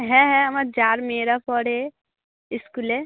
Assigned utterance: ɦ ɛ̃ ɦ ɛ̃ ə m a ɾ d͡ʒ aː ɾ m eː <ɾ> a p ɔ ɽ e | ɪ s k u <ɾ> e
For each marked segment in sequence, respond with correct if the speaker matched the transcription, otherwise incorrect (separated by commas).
correct, incorrect